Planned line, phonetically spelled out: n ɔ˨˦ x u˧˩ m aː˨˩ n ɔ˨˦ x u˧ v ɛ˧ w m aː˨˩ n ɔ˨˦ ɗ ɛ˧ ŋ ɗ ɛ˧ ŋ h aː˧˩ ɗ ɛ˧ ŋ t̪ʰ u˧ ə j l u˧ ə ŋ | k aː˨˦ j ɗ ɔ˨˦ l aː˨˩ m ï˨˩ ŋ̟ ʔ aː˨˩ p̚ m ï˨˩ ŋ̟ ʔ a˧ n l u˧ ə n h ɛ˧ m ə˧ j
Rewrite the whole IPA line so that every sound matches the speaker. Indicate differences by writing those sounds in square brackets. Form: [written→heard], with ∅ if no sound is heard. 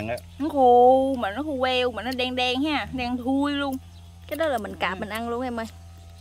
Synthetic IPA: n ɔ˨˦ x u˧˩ m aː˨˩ n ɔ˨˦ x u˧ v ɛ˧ w m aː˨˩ n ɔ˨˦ ɗ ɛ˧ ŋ ɗ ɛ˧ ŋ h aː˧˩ ɗ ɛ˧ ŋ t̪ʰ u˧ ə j l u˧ ə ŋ | k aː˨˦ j ɗ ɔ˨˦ l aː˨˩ m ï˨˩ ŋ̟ [ʔ→k] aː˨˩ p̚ m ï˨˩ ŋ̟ ʔ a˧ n l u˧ ə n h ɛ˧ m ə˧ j